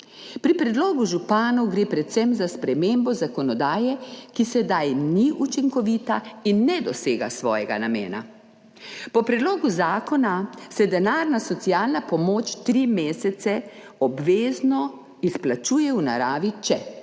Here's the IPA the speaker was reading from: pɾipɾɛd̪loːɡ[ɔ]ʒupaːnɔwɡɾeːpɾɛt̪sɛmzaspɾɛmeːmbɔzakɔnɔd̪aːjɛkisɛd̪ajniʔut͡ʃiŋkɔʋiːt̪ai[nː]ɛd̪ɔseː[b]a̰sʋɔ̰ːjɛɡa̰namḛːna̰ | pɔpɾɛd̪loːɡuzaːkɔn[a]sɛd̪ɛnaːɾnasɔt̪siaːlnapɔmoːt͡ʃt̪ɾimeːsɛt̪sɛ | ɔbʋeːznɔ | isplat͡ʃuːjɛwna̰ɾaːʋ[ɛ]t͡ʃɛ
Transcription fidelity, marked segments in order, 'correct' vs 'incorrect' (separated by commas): incorrect, correct, incorrect, correct, incorrect